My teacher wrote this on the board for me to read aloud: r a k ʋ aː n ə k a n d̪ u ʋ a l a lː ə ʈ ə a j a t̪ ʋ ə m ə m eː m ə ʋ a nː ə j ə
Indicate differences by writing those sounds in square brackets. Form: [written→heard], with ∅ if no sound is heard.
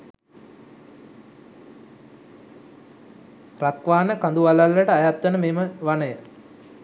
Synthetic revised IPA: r a k ʋ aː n ə k a n d̪ u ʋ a l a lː ə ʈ ə a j a t̪ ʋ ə [m→n] ə m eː m ə ʋ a [nː→n] ə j ə

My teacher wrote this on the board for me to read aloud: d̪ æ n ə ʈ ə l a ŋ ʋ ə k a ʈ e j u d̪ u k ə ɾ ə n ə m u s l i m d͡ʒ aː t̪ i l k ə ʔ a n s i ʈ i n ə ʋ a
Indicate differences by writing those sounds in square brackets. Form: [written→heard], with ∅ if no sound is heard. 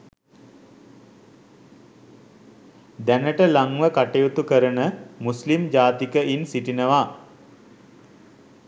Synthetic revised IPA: d̪ æ n ə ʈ ə l a ŋ ʋ ə k a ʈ e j u [d̪→t̪] u k ə ɾ ə n ə m u s l i m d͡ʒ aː t̪ i [l→∅] k ə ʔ [a→i] n s i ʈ i n ə ʋ a

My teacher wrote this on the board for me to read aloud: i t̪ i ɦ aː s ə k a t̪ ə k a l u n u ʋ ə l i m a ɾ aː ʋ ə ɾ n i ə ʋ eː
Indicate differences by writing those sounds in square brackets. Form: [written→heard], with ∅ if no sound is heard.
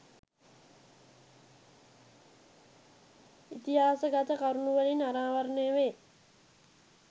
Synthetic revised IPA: i t̪ i ɦ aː s ə [k→ɡ] a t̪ ə k a [l→ɾ] u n u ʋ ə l i [m→n] a ɾ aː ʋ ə ɾ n [i→e] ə ʋ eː

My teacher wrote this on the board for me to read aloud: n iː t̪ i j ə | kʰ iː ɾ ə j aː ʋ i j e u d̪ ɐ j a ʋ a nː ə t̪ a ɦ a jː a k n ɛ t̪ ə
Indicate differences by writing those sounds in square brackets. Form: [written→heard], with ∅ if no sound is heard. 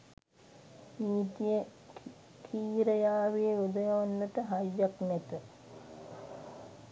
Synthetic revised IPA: n iː t̪ i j ə | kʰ iː ɾ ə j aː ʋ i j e u d̪ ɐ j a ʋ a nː ə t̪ [a→ə] ɦ a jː a k n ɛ t̪ ə

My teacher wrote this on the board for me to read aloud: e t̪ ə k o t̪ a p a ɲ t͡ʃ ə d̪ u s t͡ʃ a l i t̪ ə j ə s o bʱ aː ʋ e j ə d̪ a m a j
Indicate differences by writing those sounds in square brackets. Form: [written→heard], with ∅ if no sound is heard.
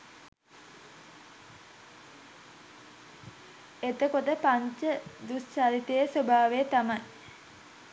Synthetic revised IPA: e t̪ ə k o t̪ [a→ə] p a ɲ t͡ʃ ə d̪ u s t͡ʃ a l i t̪ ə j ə s o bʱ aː ʋ e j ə [d̪→t̪] a m a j

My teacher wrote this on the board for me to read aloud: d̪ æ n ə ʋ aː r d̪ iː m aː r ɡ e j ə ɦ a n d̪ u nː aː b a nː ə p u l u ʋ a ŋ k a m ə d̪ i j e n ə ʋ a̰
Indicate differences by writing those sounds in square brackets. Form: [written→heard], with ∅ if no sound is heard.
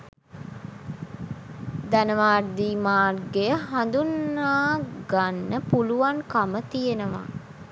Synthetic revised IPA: d̪ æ n ə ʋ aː r d̪ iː m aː r ɡ e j ə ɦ a n d̪ u nː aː [b→ɡ] a nː ə p u l u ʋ a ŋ k a m ə [d̪→t̪] i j e n ə ʋ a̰

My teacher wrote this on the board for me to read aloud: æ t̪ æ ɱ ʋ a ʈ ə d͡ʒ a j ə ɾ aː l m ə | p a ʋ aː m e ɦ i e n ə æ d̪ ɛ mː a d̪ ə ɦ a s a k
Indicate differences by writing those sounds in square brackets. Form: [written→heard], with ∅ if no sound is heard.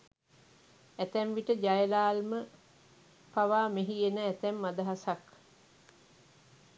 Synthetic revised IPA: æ t̪ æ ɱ ʋ [a→i] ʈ ə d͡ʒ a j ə [ɾ→l] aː l m ə | p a ʋ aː m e ɦ i e n ə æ [d̪→t̪] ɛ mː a d̪ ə ɦ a s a k

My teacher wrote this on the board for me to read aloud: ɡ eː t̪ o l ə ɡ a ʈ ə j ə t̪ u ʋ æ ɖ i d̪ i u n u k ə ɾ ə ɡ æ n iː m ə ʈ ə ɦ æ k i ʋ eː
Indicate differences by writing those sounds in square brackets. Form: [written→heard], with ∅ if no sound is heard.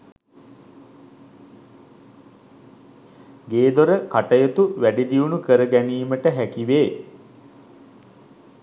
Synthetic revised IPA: ɡ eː [t̪→d̪] o [l→ɾ] ə [ɡ→k] a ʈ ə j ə t̪ u ʋ æ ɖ i d̪ i u n u k ə ɾ ə ɡ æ n iː m ə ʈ ə ɦ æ k i ʋ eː

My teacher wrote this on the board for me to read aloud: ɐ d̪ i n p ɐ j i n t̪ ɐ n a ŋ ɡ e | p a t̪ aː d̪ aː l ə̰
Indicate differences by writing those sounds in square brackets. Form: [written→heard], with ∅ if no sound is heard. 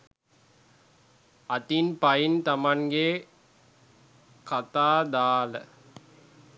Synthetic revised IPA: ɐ [d̪→t̪] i n p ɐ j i n t̪ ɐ [n→m] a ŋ ɡ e | [p→k] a t̪ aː d̪ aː l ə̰

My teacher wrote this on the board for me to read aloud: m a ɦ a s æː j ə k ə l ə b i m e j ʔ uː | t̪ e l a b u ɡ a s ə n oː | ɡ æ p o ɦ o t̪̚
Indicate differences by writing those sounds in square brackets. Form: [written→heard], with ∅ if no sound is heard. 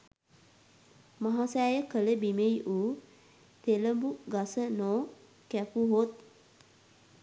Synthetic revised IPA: m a ɦ a s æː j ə k ə l ə b i m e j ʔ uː | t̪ e l [a→ə] b u ɡ a s ə n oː | [ɡ→k] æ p [o→u] ɦ o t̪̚

